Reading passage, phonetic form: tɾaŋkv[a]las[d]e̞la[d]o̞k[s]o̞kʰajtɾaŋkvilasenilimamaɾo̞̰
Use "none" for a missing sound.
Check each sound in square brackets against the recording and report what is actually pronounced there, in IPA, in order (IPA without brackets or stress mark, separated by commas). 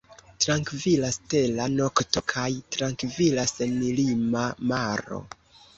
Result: i, t, n, t